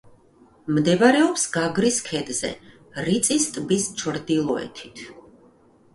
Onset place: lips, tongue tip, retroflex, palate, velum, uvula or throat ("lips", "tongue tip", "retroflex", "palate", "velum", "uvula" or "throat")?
lips